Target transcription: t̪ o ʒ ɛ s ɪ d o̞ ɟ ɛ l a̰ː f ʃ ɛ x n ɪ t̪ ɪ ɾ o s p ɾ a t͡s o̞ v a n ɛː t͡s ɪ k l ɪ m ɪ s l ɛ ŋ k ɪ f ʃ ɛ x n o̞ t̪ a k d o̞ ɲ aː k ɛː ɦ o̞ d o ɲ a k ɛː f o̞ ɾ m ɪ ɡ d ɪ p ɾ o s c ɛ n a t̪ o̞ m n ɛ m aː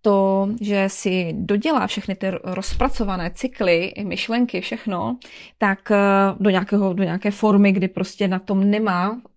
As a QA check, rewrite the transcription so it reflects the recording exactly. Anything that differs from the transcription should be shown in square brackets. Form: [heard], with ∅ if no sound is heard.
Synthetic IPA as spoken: t̪ o ʒ ɛ s ɪ d o̞ ɟ ɛ l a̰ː f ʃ ɛ x n ɪ t̪ ɪ ɾ o s p ɾ a t͡s o̞ v a n ɛː t͡s ɪ k l ɪ m ɪ [ʃ] l ɛ ŋ k ɪ f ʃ ɛ x n o̞ t̪ a k d o̞ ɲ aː k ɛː ɦ o̞ d o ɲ a k ɛː f o̞ ɾ m ɪ ɡ d ɪ p ɾ o s c ɛ n a t̪ o̞ m n ɛ m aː